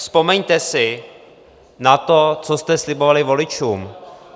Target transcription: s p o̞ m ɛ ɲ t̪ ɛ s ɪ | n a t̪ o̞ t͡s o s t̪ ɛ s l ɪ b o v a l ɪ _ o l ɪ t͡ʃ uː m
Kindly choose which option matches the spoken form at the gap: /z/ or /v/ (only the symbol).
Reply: v